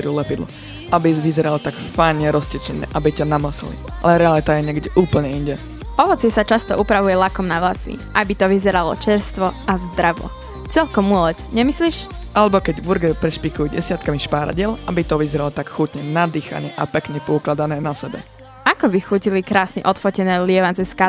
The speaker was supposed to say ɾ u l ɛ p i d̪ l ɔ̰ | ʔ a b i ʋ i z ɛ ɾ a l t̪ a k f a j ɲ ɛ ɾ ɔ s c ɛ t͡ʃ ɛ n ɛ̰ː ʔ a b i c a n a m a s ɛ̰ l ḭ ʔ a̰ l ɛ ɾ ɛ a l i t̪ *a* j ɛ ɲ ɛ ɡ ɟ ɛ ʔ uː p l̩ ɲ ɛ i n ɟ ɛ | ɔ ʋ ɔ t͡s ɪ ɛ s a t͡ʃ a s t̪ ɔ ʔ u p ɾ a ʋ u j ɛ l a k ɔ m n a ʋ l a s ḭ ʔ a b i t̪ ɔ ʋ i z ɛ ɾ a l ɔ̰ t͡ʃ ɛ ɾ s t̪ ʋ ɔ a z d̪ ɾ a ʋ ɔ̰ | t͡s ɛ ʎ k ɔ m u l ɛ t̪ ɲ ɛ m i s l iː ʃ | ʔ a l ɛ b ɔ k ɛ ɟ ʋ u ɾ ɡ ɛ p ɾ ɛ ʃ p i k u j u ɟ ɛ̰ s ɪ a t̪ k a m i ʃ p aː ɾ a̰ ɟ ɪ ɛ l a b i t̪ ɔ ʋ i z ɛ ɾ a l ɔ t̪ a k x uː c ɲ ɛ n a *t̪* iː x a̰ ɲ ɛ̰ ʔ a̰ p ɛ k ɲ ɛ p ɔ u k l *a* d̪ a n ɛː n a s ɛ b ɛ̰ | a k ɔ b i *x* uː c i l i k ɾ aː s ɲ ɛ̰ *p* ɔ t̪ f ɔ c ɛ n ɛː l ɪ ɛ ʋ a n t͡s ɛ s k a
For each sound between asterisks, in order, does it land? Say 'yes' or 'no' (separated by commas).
yes, no, yes, yes, no